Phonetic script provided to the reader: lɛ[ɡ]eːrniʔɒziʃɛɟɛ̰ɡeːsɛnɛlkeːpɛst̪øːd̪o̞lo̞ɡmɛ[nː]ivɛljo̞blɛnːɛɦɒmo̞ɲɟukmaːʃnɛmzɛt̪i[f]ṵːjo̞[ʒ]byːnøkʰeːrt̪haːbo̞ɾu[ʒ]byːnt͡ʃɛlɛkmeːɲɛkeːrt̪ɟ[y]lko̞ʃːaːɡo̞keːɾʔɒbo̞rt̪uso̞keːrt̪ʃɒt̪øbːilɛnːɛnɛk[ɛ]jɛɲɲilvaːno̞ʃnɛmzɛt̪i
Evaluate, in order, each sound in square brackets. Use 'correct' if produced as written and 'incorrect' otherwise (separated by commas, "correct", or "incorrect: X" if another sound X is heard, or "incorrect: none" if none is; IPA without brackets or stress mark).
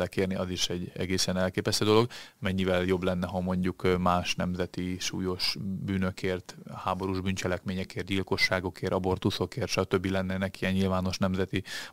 incorrect: k, incorrect: ɲː, incorrect: ʃ, incorrect: ʃ, correct, incorrect: i, incorrect: i